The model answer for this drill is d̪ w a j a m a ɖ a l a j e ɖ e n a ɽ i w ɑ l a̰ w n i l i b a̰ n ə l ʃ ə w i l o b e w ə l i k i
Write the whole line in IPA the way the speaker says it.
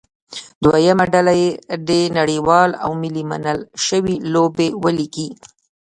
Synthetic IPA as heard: d̪ w a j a m a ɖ a l a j e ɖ e n a ɽ i w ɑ l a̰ w m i l i m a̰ n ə l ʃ ə w i l o b e w ə l i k i